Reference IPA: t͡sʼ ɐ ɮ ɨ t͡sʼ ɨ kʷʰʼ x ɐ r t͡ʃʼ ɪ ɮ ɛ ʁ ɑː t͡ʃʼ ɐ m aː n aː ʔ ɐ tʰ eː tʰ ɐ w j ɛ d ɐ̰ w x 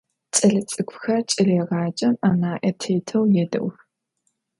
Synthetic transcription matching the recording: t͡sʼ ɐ ɮ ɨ t͡sʼ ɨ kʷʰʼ x ɐ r t͡ʃʼ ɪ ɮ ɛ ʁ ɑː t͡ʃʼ ɐ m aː n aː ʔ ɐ tʰ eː tʰ ɐ w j ɛ d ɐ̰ w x